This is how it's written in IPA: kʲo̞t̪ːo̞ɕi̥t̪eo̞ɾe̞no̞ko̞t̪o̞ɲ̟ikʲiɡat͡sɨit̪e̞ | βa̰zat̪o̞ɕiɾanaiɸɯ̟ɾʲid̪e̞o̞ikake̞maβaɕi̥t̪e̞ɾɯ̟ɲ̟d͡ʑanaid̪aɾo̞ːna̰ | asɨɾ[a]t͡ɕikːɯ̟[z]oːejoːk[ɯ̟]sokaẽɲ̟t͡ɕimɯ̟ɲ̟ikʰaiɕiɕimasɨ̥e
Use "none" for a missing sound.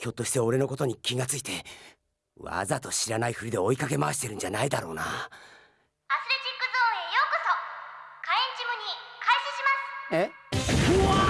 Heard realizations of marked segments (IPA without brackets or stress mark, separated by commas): e, z, ɯ̟